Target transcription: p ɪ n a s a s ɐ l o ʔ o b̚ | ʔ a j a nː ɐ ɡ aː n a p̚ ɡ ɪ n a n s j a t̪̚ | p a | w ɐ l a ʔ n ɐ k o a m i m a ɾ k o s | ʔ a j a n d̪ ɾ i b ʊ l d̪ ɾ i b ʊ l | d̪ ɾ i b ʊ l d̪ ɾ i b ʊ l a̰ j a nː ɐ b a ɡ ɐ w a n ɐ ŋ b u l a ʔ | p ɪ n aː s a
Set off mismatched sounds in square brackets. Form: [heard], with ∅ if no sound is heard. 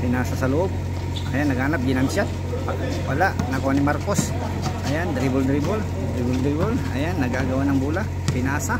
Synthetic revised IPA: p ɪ n a s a s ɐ l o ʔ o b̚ | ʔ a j a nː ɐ ɡ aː n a p̚ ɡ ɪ n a n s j a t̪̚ | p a | w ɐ l a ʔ n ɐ k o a [n] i m a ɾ k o s | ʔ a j a n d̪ ɾ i b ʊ l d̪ ɾ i b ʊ l | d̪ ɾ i b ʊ l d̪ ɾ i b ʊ l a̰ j a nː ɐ [ɡ] a ɡ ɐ w a n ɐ ŋ b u l a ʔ | p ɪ n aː s a